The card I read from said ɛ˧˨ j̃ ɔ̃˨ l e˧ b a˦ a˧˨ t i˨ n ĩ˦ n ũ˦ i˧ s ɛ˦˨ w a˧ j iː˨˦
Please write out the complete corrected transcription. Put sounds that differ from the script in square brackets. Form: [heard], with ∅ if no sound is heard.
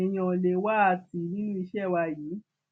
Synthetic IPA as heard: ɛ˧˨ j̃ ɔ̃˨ l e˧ [w] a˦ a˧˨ t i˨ n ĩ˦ n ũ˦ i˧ [ʃ] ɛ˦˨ w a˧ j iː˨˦